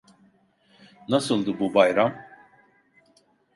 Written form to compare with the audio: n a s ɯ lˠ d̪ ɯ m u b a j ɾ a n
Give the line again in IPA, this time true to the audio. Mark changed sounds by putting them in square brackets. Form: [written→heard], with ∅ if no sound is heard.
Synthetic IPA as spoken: n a s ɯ lˠ d̪ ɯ [m→b] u b a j ɾ a [n→m]